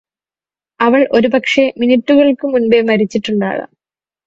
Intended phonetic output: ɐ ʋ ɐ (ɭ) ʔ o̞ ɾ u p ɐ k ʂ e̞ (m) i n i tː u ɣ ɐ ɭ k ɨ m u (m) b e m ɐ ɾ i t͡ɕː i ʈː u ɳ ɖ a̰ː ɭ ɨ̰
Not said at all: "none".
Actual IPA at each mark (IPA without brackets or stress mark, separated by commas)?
ɭ, m, n